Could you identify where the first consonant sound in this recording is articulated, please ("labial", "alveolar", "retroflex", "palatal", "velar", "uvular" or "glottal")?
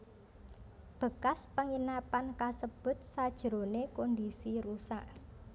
labial